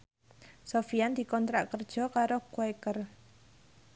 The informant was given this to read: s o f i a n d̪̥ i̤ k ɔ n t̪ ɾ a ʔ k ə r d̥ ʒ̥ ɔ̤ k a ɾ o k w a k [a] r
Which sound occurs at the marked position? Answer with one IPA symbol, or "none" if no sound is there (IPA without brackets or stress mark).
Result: ə